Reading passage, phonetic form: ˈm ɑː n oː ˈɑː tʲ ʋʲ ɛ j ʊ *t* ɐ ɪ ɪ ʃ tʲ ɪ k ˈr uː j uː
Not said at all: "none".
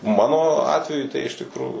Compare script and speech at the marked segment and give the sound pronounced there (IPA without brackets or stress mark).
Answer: t